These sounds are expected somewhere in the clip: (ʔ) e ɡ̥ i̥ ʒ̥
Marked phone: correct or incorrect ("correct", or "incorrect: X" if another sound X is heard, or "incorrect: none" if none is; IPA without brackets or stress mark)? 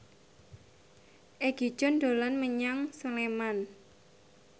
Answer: correct